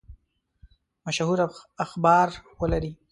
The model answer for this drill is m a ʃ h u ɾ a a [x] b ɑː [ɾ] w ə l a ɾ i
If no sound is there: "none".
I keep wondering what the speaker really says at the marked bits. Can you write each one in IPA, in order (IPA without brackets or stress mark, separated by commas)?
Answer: x, ɾ